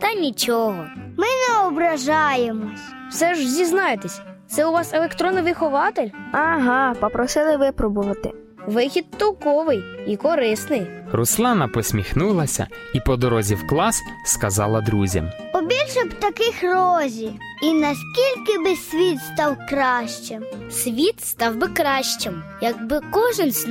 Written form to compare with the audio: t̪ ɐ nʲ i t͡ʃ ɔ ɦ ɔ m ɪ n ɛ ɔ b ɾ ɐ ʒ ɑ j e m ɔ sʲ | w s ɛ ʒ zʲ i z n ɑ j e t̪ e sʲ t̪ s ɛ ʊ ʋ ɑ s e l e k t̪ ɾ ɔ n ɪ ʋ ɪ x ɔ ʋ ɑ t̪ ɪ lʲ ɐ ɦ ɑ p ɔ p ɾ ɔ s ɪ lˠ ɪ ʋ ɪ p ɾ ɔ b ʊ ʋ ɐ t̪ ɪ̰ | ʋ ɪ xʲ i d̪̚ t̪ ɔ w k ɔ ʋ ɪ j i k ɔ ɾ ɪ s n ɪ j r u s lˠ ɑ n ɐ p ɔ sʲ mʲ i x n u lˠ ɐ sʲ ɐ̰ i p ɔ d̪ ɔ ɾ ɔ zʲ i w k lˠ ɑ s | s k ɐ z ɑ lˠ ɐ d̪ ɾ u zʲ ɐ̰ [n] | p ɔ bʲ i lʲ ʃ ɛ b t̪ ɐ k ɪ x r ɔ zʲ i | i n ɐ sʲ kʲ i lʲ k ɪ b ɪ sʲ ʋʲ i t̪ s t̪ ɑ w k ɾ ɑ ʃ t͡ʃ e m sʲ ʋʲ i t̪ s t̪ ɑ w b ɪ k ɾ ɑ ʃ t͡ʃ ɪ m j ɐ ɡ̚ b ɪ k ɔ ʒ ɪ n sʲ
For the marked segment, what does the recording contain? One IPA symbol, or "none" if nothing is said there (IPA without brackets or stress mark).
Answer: m